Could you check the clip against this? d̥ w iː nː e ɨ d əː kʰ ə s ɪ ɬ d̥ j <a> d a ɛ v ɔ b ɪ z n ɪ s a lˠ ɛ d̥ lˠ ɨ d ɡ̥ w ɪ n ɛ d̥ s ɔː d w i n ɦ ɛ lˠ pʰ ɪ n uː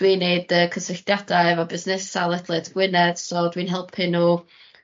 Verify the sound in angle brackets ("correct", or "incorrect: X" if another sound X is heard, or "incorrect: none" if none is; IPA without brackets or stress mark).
correct